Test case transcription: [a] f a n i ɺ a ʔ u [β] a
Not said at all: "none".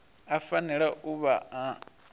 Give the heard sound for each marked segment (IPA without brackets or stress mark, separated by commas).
a, β